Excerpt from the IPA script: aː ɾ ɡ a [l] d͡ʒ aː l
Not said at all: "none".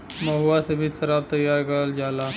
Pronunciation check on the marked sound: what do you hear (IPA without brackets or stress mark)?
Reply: l